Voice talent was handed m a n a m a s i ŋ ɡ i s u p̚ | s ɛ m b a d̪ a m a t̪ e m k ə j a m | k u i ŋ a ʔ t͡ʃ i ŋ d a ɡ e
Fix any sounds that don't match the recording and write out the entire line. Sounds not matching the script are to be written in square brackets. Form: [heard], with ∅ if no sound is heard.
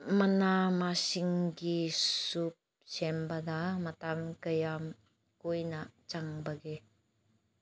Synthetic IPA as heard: m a n a m a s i ŋ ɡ i s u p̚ | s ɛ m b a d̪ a m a t̪ [a] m k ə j a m | k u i [n] a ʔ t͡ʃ [a] ŋ [b] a ɡ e

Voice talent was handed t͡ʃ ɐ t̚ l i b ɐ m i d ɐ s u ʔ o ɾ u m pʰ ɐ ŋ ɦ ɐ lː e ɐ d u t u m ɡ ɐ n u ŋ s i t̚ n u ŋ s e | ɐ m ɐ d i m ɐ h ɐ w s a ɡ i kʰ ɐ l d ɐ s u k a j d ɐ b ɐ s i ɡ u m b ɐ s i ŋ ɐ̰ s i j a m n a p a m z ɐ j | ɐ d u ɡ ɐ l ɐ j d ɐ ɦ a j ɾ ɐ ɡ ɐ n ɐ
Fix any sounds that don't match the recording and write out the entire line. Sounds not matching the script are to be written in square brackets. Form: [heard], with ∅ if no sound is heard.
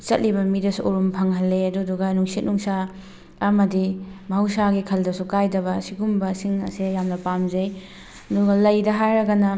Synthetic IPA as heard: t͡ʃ ɐ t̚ l i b ɐ m i d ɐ s u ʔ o ɾ u m pʰ ɐ ŋ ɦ ɐ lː e ɐ d u [d] u [∅] ɡ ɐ n u ŋ s i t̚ n u ŋ s [a] | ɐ m ɐ d i m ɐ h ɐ w s a ɡ i kʰ ɐ l d ɐ s u k a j d ɐ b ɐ s i ɡ u m b ɐ s i ŋ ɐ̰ s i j a m n [ɐ] p a m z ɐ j | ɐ d u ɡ ɐ l ɐ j d ɐ ɦ a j ɾ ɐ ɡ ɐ n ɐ

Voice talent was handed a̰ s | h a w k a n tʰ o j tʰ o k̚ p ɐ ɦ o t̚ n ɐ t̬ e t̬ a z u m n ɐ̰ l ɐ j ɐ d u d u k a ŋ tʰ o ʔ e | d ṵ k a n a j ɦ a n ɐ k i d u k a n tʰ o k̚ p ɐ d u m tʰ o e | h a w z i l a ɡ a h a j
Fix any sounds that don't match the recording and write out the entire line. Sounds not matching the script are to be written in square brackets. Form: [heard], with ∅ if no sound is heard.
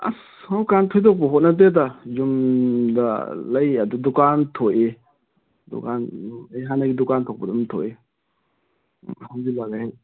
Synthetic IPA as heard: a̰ s | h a w k a n tʰ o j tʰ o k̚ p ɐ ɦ o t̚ n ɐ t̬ e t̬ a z u m [d] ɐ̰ l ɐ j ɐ d u d u k a [n] tʰ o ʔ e | d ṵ k a n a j ɦ a n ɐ [ɡ] i d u k a n tʰ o k̚ p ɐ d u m tʰ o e | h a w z i l a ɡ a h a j

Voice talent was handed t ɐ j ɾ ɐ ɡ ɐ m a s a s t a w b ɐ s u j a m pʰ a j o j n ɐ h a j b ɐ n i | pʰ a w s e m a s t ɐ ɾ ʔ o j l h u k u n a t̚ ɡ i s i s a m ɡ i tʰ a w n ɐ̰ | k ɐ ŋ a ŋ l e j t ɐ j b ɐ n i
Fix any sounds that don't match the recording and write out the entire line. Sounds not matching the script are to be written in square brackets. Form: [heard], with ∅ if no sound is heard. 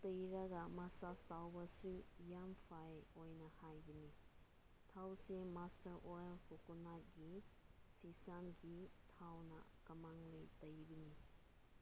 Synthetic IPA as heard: t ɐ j ɾ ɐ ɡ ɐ m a s a s t a w b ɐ s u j a m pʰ a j o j n ɐ h a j b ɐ n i | [tʰ] a w s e m a s t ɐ ɾ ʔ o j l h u k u n a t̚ ɡ i s i s a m ɡ i tʰ a w n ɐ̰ | k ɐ [m] a ŋ l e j t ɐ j b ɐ n i

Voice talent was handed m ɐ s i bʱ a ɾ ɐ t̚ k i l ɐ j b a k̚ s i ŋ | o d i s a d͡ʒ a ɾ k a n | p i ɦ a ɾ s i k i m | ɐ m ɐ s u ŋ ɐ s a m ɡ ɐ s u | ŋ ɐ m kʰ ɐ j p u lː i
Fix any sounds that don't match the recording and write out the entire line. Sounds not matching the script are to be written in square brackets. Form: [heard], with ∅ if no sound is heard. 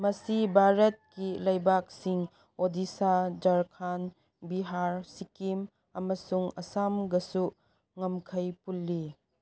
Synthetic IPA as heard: m ɐ s i bʱ a ɾ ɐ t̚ k i l ɐ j b a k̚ s i ŋ | o d i s a d͡ʒ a ɾ [kʰ] a n | [b] i ɦ a ɾ s i k i m | ɐ m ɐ s u ŋ ɐ s a m ɡ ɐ s u | ŋ ɐ m kʰ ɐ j p u lː i

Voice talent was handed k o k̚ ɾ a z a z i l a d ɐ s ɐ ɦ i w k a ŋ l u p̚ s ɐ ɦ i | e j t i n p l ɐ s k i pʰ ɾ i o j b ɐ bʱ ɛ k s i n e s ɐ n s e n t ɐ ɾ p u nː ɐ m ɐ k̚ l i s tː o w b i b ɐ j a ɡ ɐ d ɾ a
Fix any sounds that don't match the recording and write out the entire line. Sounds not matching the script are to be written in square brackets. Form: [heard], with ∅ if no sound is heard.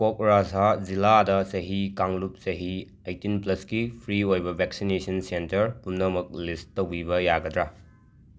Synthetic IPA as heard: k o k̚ ɾ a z a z i l a d ɐ s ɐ ɦ i [∅] k a ŋ l u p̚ s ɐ ɦ i | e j t i n p l ɐ s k i pʰ ɾ i o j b ɐ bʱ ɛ k s i n e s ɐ n s e n t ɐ ɾ p u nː ɐ m ɐ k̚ l i s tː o w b i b ɐ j a ɡ ɐ d ɾ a

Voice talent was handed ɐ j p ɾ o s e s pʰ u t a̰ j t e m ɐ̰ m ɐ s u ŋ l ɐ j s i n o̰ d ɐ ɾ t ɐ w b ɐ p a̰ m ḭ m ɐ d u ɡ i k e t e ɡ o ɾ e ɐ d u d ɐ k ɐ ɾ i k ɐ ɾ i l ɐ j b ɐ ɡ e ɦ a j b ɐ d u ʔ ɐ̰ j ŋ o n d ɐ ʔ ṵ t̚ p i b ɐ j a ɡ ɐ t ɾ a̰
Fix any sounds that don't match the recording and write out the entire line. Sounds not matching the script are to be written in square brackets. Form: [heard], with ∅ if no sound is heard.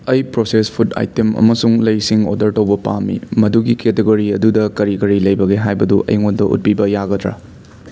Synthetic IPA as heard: ɐ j p ɾ o s e s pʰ u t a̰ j t e m ɐ̰ m ɐ s u ŋ l ɐ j s i [ŋ] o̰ d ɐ ɾ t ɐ w b ɐ p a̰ m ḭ m ɐ d u ɡ i k e t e ɡ o ɾ [i] ɐ d u d ɐ k ɐ ɾ i k ɐ ɾ i l ɐ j b ɐ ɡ e ɦ a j b ɐ d u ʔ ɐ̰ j ŋ o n d ɐ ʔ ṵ t̚ p i b ɐ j a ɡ ɐ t ɾ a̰

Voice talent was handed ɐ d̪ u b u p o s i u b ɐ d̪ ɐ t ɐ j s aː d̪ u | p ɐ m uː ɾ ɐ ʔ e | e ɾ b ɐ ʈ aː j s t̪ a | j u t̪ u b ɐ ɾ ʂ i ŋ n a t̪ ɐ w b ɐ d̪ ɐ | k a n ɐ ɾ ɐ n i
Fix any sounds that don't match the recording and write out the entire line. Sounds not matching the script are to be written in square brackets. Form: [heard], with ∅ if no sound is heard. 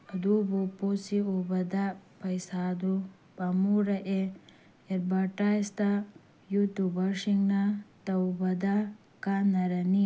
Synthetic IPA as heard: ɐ d̪ u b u p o s i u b ɐ d̪ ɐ [p] ɐ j s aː d̪ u | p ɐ m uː ɾ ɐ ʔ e | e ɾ b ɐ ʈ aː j s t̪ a | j u t̪ u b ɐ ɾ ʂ i ŋ n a t̪ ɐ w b ɐ d̪ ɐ | k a n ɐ ɾ ɐ n i

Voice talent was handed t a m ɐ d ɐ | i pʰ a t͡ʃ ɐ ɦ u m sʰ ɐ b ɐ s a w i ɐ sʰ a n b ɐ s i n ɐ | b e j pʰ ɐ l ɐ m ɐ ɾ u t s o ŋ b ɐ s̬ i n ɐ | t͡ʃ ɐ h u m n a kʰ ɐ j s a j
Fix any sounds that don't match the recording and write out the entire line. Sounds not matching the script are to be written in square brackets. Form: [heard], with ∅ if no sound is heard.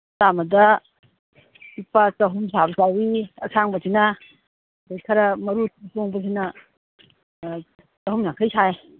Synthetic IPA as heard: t a m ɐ d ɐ | i [p] a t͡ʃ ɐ ɦ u m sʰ [a] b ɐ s a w i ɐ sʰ a [ŋ] b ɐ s i n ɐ | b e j [kʰ] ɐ [ɾ] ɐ m ɐ ɾ u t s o ŋ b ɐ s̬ i n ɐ | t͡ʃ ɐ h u m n a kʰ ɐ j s a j

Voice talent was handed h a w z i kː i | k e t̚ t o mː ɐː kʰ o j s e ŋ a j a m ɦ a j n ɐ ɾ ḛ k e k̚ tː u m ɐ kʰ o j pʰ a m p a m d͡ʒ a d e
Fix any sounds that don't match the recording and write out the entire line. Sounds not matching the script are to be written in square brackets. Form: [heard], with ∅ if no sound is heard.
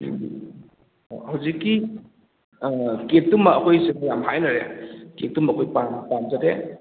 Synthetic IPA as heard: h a w z i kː i | k e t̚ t [u] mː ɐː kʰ o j s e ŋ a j a m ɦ a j n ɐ ɾ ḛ k e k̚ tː u m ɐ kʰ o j [p] a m p a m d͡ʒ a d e

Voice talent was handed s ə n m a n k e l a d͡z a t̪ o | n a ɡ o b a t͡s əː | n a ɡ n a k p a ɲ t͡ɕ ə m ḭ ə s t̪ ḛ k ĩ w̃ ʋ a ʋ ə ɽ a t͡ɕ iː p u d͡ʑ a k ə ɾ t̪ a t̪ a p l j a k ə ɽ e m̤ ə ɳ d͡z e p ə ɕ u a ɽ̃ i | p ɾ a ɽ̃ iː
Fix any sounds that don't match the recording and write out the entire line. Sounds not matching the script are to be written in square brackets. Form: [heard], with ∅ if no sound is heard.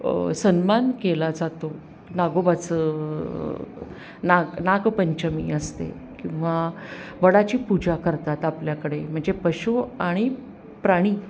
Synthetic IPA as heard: s ə n m a n k e l a d͡z a t̪ o | n a ɡ o b a t͡s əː | n a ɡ n a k p [ə] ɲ t͡ɕ ə m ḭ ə s t̪ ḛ k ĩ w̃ ʋ a ʋ ə ɽ a t͡ɕ iː p u d͡ʑ a k ə ɾ t̪ a t̪ a p l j a k ə ɽ e m̤ ə ɳ d͡z e p ə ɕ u a ɽ̃ i | p ɾ a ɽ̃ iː

